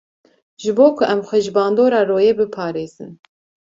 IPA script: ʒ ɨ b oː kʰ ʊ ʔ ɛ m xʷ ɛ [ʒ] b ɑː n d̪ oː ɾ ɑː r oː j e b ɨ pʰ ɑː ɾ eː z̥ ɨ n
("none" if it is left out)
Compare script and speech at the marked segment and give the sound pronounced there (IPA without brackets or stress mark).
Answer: ʒ